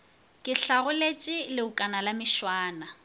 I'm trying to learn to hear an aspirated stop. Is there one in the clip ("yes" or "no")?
no